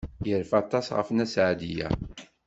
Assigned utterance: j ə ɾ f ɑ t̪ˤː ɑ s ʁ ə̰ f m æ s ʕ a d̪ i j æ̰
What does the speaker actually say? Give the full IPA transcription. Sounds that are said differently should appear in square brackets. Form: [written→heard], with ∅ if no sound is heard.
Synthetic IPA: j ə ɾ f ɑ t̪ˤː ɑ s ʁ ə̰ f [m→n] æ s ʕ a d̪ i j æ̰

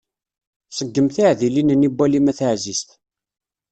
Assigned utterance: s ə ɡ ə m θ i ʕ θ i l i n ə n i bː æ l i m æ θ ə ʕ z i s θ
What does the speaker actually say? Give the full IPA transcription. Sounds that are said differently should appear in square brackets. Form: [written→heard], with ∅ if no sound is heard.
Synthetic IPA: s ə [ɡ→ɡː] ə m θ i ʕ [θ→ð] i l i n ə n i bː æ l i m æ θ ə ʕ z i s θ

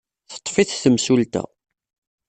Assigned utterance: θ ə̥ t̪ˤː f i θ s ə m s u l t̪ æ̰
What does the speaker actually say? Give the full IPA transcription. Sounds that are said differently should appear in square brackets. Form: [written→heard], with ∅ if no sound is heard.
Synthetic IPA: θ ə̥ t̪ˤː f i θ [s→θ] ə m s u l t̪ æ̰

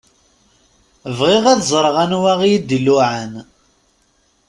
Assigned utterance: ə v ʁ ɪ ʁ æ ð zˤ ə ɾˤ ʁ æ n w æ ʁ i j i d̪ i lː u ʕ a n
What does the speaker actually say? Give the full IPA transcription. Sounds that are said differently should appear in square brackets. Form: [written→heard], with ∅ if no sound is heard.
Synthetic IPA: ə v ʁ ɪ ʁ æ ð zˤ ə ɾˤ ʁ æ n w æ ʁ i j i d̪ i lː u ʕ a n

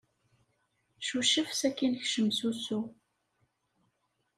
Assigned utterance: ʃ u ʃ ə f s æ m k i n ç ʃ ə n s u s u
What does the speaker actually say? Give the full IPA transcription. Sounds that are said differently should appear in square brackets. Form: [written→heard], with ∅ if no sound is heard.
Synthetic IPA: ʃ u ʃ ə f s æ [m→∅] k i n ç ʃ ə [n→m] s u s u

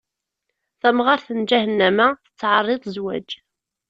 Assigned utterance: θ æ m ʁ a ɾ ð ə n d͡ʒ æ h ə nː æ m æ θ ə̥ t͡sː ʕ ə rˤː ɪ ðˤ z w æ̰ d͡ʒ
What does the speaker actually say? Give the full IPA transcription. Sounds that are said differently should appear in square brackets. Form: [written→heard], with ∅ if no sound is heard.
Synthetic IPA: θ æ m ʁ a ɾ [ð→θ] ə n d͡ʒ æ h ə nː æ m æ θ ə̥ t͡sː ʕ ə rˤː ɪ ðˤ z w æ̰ d͡ʒ

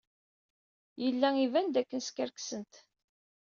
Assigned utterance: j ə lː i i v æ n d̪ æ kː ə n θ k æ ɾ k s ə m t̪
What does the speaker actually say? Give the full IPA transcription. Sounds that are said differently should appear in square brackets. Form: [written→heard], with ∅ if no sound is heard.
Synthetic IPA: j ə lː [i→æ] i v æ n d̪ æ kː ə n [θ→s] k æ ɾ k s ə [m→n] t̪

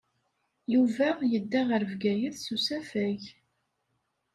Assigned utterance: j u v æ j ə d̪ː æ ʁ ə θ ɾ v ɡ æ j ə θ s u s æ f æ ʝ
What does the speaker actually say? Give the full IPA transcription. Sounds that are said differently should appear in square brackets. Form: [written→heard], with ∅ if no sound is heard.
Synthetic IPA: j u v æ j ə d̪ː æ ʁ ə [θ→∅] ɾ v ɡ æ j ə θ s u s æ f æ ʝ

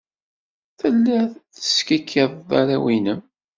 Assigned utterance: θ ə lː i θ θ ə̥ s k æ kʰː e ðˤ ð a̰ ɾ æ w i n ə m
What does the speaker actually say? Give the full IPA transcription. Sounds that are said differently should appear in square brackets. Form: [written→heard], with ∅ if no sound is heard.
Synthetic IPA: θ ə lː [i→æ] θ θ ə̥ s k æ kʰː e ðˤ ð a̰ ɾ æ w i n ə m

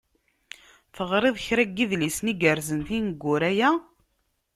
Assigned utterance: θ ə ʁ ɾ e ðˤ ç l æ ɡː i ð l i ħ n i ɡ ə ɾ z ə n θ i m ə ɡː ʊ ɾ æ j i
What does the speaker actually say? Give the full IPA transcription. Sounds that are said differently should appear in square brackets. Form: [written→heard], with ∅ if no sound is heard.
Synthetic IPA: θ ə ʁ ɾ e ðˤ ç [l→ɾ] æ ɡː i ð l i [ħ→s] n i ɡ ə ɾ z ə n θ i [m→n] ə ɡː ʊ ɾ æ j [i→æ]

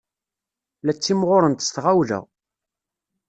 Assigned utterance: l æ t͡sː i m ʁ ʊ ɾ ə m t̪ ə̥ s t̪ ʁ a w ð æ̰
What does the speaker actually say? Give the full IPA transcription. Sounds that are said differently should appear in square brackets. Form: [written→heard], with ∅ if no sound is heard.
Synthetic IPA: l æ t͡sː i m ʁ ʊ ɾ ə [m→n] t̪ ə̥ s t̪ ʁ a w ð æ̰

